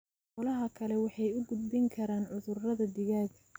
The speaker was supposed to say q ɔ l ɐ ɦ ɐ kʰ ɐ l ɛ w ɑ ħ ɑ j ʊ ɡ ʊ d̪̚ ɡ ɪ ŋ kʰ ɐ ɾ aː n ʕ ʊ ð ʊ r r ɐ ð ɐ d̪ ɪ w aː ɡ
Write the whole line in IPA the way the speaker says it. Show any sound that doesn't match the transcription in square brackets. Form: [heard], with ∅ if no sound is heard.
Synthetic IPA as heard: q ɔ l ɐ ɦ ɐ kʰ ɐ l ɛ w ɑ ħ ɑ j ʊ ɡ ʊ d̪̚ [b] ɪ ŋ kʰ ɐ ɾ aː n ʕ ʊ ð ʊ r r ɐ ð ɐ d̪ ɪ [ɣ] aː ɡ